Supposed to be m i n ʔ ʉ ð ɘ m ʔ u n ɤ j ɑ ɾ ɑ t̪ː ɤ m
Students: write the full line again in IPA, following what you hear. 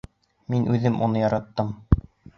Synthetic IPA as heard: m i n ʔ ʉ ð ɘ m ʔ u n ɤ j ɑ ɾ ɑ t̪ː ɤ m